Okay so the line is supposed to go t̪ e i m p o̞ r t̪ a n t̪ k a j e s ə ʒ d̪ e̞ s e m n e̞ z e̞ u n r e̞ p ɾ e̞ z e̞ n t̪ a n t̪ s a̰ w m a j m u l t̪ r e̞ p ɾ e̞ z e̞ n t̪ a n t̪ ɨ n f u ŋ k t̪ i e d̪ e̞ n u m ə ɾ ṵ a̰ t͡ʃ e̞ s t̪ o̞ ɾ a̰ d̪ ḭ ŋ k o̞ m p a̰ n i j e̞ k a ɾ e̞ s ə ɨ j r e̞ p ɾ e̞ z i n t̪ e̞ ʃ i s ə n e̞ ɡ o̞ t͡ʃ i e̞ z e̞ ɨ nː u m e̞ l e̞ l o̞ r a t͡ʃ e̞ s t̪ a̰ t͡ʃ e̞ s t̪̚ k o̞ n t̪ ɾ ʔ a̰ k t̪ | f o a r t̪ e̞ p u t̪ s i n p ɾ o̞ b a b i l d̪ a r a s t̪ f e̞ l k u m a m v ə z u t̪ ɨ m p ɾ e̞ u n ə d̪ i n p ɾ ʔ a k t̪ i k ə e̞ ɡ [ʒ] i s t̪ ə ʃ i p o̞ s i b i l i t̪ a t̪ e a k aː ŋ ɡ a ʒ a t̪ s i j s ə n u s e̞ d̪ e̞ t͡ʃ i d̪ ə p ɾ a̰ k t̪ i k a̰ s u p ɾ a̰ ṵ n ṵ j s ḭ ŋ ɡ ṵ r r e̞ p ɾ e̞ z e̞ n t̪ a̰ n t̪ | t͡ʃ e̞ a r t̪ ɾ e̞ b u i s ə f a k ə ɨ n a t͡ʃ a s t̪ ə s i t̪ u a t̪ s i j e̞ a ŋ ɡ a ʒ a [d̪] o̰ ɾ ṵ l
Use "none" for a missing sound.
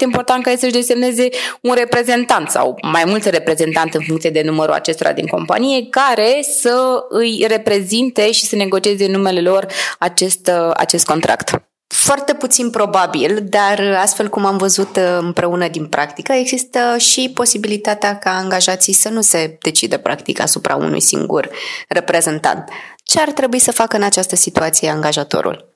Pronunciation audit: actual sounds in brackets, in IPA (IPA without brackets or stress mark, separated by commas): z, t̪